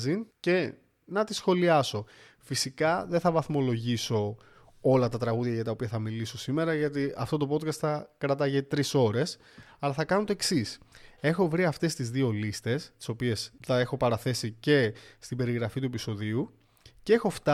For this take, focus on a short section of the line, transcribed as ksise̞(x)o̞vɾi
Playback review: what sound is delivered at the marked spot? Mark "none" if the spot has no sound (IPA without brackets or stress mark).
x